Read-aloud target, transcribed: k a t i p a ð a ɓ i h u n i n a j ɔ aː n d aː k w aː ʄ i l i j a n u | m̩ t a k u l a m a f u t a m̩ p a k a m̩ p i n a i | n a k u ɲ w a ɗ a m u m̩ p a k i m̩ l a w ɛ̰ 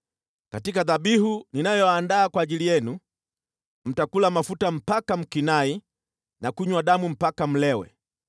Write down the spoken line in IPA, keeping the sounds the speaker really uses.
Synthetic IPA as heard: k a t i k a ð a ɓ i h u n i n a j ɔ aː n d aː k w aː ʄ i l i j ɛ n u | m̩ t a k u l a m a f u t a m̩ p a k a m̩ k i n a i | n a k u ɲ w a ɗ a m u m̩ p a k a m̩ l ɛ w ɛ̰